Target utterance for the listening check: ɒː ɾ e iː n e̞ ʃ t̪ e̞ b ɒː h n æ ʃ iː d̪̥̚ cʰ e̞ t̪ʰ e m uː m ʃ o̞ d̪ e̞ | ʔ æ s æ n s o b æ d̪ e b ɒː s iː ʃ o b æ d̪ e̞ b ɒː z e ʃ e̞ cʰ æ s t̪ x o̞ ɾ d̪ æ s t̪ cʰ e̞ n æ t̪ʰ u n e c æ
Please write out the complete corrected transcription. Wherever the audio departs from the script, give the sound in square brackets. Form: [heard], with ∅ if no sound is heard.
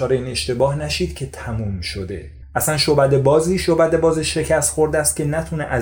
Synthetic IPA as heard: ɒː ɾ e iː n e̞ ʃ t̪ e̞ b ɒː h n æ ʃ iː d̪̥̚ cʰ e̞ t̪ʰ [æ] m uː m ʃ o̞ d̪ e̞ | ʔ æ s æ n [ʃ] o b æ d̪ e b ɒː [z] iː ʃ o b æ d̪ e̞ b ɒː z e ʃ e̞ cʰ æ s t̪ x o̞ ɾ d̪ æ s t̪ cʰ e̞ n æ t̪ʰ u n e [ʔ] æ